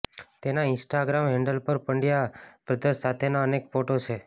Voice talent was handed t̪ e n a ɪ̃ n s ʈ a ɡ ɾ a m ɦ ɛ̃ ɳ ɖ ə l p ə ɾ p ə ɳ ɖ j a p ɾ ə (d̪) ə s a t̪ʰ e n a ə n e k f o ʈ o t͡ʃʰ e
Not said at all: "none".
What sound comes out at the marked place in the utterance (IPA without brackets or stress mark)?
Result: d̪